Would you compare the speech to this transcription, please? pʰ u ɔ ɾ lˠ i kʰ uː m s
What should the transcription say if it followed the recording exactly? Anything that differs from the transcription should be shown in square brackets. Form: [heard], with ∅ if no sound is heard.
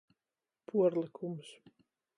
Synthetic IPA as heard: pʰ u ɔ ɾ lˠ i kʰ [u] m s